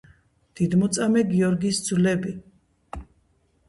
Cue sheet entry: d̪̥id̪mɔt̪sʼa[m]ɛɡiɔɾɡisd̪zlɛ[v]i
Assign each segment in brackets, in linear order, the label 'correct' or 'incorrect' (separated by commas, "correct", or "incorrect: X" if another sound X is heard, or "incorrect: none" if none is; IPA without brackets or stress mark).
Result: correct, incorrect: b